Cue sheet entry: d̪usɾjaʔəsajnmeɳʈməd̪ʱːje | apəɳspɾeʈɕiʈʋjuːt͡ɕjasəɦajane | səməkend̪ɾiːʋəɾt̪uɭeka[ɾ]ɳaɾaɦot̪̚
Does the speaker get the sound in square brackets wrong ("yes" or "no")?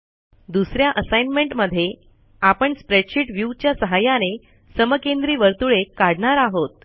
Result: yes